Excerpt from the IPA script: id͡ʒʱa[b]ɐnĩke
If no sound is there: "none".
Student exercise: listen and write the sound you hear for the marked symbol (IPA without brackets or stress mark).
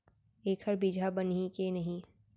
b